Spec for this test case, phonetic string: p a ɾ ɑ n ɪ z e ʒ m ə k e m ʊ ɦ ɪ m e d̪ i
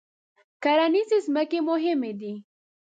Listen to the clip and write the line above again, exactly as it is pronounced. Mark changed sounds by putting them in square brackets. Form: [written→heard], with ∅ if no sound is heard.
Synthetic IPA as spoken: [p→k] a ɾ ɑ n [ɪ→i] z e [ʒ→z] m ə k e m ʊ ɦ ɪ m e d̪ i